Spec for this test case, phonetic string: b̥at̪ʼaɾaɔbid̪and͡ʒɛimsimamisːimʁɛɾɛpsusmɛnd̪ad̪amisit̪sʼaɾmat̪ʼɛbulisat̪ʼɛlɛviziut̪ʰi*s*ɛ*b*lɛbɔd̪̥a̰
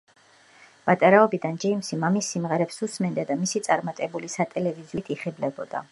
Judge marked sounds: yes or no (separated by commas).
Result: no, yes